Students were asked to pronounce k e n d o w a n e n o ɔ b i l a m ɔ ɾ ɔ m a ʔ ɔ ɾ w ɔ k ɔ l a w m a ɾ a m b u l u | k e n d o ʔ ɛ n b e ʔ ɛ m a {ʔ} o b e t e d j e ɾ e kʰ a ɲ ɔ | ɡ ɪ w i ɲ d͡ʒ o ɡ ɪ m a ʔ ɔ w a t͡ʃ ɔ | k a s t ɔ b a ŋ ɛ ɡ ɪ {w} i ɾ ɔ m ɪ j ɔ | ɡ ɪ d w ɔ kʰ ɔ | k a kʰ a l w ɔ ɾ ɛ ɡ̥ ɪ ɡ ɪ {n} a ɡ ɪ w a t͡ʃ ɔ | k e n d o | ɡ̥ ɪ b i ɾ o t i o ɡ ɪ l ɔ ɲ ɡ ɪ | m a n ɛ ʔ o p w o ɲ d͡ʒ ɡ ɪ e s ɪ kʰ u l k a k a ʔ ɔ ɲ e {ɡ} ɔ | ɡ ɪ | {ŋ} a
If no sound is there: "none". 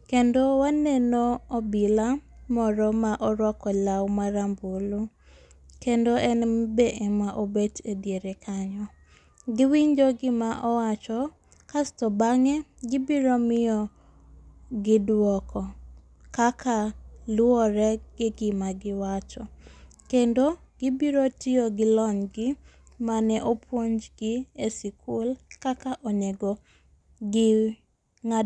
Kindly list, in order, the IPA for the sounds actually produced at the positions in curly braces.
ʔ, b, m, ɡ, ŋ

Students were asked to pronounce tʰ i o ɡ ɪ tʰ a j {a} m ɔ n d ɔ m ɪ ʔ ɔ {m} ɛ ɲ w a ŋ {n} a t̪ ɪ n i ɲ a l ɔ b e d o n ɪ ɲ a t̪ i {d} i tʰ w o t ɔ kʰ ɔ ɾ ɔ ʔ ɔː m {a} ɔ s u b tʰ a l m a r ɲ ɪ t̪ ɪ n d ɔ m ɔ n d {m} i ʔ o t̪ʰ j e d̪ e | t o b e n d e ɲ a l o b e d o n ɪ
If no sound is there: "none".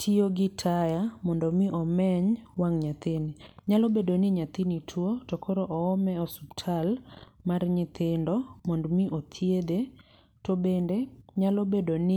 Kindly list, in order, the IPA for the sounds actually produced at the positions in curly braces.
a, m, ɲ, n, ɛ, m

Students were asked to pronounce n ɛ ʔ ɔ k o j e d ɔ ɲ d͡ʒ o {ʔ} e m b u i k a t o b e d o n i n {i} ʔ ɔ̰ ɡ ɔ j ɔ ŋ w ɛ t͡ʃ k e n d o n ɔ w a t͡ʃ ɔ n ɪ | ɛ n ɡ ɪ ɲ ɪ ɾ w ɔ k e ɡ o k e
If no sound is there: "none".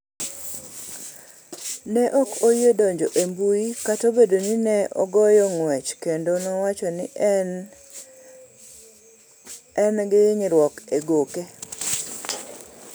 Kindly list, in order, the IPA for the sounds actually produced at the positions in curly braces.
ʔ, ɛ

